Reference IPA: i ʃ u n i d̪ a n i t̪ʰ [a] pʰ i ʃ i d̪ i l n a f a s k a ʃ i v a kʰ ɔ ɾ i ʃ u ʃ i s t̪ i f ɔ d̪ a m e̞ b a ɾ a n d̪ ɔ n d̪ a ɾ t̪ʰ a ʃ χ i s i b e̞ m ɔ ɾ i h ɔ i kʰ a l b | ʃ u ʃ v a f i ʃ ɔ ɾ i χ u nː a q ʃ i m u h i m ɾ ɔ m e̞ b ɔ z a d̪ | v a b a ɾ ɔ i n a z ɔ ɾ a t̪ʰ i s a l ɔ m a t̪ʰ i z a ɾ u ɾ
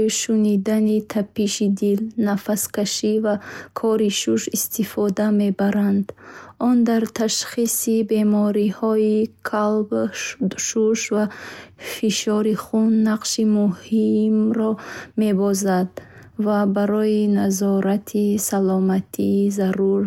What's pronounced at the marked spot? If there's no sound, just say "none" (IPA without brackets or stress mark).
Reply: a